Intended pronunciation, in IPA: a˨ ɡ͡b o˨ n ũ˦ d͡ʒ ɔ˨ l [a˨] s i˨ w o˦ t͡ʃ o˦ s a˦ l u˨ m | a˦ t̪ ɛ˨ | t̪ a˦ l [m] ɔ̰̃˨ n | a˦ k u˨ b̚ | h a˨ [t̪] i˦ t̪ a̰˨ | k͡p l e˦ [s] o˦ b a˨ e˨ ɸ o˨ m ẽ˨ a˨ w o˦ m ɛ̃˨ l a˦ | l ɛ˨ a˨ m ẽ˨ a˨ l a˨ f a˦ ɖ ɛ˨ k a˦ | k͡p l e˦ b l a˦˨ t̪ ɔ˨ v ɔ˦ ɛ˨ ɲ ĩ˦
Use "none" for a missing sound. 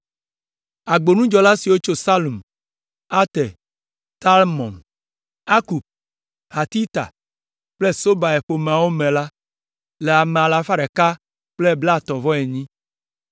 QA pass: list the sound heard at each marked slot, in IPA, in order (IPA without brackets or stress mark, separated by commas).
a˦, m, t̪, s